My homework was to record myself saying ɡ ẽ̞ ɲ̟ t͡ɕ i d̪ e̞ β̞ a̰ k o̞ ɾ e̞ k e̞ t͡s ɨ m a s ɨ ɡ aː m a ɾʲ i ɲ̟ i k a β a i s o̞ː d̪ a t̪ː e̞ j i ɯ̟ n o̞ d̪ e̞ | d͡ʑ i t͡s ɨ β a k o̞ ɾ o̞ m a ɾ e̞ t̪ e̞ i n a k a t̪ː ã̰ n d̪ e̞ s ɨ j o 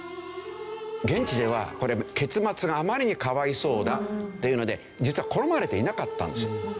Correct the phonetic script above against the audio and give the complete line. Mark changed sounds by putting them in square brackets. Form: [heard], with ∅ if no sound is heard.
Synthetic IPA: ɡ ẽ̞ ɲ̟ t͡ɕ i d̪ e̞ β̞ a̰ k o̞ ɾ e̞ k e̞ t͡s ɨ m a [t͡s] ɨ ɡ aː m a ɾʲ i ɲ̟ i k a β a i s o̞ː d̪ a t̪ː e̞ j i ɯ̟ n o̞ d̪ e̞ | d͡ʑ i t͡s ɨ β a k o̞ ɾ o̞ m a ɾ e̞ t̪ e̞ i n a k a t̪ː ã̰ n d̪ e̞ s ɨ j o